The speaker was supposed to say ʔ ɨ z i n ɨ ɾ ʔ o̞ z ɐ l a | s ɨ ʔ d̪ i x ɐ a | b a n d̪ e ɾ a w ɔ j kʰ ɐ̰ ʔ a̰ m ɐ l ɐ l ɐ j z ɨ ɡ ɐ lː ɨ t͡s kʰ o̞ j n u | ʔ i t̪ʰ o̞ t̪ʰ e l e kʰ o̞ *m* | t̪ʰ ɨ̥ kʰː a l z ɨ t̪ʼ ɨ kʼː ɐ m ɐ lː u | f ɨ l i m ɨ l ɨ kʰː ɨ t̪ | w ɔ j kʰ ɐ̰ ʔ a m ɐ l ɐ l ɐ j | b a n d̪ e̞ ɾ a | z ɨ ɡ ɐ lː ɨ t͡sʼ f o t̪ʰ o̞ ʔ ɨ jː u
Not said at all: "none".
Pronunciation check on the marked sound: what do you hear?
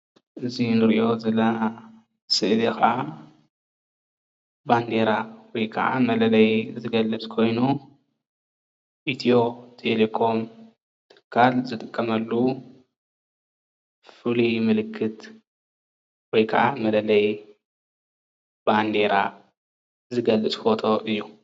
m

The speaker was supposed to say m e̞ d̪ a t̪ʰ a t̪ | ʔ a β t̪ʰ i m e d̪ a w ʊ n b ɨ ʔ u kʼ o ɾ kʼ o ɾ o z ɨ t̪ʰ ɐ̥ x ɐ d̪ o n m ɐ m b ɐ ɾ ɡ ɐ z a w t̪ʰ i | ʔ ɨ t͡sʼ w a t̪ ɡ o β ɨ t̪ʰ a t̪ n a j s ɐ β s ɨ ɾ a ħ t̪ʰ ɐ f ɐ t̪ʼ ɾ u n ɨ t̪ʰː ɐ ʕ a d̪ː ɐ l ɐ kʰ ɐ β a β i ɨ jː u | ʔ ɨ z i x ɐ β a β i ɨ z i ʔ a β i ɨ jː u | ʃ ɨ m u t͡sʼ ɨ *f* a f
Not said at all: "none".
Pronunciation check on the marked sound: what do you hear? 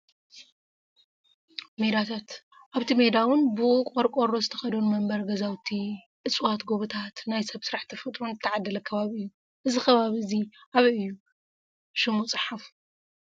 ħ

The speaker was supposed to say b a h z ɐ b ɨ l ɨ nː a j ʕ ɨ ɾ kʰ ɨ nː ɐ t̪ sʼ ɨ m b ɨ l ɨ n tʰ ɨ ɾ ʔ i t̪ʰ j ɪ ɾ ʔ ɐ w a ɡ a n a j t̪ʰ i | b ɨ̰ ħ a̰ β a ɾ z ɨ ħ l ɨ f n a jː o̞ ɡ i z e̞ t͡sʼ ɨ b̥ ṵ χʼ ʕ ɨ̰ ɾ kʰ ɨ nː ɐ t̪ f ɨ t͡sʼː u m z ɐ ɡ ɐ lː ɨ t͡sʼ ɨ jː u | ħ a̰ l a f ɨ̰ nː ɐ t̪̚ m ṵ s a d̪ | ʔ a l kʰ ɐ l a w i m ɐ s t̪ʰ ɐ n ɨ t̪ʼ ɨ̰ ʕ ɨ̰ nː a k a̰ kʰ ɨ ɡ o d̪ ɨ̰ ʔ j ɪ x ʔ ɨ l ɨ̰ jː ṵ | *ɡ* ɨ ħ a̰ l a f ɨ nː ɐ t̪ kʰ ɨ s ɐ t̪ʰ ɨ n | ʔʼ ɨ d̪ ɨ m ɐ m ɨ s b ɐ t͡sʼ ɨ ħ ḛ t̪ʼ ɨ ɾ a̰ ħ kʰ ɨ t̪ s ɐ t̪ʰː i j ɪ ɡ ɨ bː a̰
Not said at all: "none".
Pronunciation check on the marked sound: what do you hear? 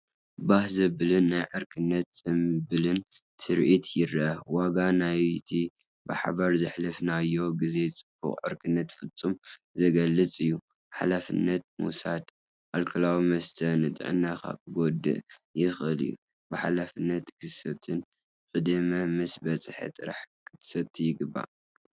b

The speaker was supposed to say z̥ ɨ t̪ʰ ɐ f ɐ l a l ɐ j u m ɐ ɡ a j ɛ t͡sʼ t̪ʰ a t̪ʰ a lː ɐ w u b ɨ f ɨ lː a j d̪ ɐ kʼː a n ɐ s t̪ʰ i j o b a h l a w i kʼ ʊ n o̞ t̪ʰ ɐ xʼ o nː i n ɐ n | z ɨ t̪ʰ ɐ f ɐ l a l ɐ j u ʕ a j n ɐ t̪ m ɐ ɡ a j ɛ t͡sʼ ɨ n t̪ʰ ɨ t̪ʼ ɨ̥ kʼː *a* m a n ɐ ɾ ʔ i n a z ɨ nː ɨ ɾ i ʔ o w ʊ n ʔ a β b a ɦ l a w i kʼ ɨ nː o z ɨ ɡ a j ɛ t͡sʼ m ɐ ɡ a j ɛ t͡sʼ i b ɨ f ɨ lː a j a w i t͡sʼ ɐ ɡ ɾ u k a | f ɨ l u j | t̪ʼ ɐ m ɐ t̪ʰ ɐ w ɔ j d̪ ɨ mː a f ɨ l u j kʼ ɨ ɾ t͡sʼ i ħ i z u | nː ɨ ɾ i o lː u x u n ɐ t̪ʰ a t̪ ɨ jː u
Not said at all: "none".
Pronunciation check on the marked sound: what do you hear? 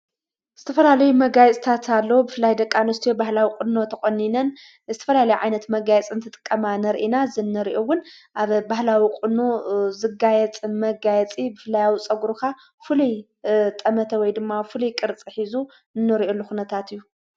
ɐ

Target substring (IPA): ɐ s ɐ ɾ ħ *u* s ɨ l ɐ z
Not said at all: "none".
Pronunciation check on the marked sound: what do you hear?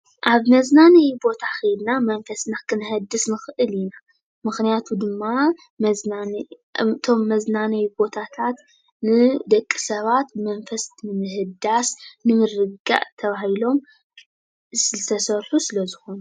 u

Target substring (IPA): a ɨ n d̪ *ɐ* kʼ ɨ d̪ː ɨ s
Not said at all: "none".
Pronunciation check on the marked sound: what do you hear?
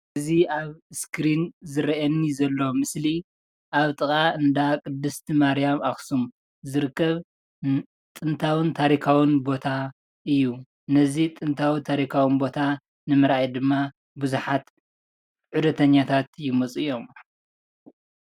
a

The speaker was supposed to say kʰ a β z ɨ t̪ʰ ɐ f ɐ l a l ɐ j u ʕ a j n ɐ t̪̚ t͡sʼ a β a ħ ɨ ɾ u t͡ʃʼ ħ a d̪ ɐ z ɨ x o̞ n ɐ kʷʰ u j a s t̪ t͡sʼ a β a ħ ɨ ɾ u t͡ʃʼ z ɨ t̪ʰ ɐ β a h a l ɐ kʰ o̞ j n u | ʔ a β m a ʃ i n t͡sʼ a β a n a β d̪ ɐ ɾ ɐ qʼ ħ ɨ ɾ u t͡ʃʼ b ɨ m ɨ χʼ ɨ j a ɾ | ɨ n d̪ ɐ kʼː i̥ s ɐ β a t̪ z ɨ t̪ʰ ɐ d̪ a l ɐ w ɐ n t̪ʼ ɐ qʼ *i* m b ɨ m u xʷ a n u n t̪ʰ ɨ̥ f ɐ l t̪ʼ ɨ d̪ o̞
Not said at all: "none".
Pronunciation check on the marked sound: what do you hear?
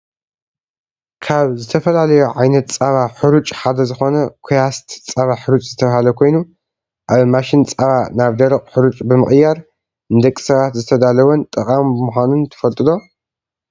a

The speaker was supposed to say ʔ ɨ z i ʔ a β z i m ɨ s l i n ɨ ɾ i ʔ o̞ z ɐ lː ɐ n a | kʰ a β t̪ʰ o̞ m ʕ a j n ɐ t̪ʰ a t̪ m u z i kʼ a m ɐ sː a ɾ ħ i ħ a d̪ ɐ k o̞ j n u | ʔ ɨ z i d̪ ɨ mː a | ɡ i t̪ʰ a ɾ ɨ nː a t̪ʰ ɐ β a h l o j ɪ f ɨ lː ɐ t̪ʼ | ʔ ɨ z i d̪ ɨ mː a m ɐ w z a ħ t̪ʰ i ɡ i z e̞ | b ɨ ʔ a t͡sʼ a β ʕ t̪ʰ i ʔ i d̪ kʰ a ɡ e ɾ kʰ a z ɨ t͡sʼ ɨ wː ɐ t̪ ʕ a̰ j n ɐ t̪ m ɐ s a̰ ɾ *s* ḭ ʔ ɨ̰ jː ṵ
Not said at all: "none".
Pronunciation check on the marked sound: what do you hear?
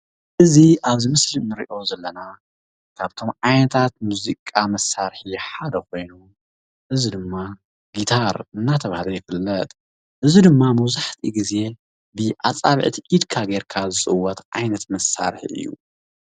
ħ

